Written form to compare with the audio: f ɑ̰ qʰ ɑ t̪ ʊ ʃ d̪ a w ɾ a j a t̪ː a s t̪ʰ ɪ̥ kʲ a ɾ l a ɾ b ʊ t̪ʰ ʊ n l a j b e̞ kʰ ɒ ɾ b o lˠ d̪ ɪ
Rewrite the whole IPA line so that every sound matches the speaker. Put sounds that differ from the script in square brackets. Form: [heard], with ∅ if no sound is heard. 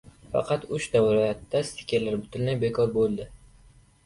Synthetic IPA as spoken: f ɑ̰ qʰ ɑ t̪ ʊ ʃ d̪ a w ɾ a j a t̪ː a s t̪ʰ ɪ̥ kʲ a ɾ l a ɾ b ʊ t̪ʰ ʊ n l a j b e̞ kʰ ɒ ɾ b o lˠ d̪ ɪ

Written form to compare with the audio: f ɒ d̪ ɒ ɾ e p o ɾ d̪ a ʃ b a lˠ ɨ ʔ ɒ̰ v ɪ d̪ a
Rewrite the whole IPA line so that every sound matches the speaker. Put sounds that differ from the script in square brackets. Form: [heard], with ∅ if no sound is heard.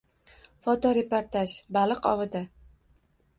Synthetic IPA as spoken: f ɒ [t̪] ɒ ɾ e p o ɾ [t̪] a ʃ b a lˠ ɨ [q] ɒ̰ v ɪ d̪ a

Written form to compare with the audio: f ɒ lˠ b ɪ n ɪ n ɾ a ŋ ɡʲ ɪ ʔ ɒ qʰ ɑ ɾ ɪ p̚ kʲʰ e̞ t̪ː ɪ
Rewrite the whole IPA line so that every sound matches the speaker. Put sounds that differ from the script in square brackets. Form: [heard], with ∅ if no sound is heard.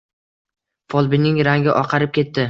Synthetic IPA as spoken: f ɒ lˠ b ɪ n ɪ [ŋ] ɾ a ŋ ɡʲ ɪ ʔ ɒ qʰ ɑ ɾ ɪ p̚ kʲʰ e̞ t̪ː ɪ

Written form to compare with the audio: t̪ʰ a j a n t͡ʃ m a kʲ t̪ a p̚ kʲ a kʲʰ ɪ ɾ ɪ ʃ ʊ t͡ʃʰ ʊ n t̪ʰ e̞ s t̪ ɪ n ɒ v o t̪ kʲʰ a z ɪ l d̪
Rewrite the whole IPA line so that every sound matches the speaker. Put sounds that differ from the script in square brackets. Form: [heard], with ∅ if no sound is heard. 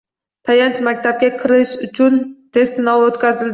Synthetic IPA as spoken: t̪ʰ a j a n t͡ʃ m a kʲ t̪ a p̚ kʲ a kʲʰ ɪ ɾ ɪ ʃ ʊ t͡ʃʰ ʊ n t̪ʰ e̞ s t̪ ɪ n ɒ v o t̪ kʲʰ a z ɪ l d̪

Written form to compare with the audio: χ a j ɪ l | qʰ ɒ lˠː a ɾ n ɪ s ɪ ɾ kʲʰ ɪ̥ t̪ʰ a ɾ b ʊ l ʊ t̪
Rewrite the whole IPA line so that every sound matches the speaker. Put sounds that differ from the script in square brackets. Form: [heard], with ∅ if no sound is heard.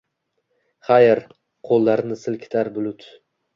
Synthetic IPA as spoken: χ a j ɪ [ɾ] | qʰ [o] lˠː a ɾ n ɪ s ɪ [l] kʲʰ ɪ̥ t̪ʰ a ɾ b ʊ l ʊ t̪

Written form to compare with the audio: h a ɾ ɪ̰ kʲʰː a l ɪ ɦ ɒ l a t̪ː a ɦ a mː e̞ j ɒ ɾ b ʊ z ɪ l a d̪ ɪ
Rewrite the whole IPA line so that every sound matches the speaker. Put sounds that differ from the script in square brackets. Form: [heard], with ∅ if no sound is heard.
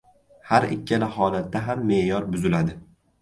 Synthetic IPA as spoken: h a ɾ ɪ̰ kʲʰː a l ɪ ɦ ɒ l a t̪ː a ɦ a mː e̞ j ɒ ɾ b ʊ z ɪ l a d̪ ɪ

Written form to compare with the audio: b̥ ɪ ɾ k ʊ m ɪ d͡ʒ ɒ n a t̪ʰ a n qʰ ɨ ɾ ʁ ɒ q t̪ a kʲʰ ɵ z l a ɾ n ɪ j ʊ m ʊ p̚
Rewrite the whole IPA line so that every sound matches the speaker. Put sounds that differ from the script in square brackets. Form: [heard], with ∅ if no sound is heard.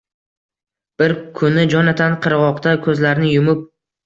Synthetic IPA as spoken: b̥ ɪ ɾ [kʰ] ʊ [n] ɪ d͡ʒ ɒ n a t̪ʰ a n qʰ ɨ ɾ ʁ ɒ q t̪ a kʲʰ ɵ z l a ɾ n ɪ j ʊ m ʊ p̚

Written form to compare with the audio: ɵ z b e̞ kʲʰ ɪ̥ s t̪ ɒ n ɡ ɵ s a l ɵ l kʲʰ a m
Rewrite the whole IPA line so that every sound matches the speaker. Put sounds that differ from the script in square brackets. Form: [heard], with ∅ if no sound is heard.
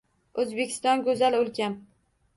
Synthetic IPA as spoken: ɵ z b e̞ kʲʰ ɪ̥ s t̪ ɒ n ɡ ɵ [z] a l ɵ l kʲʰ a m

